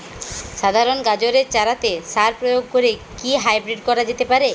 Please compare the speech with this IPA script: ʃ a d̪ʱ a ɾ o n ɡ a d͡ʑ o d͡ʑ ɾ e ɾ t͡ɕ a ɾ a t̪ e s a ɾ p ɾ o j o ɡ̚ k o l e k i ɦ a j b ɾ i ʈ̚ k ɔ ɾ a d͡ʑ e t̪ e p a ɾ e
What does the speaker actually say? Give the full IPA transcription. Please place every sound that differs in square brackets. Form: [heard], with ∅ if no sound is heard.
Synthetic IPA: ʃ a d̪ʱ a ɾ o n ɡ a d͡ʑ o [∅] ɾ e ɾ t͡ɕ a ɾ a t̪ e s a ɾ p ɾ o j o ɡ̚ k o [ɾ] e k i ɦ a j b ɾ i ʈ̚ k ɔ ɾ a d͡ʑ e t̪ e p a ɾ e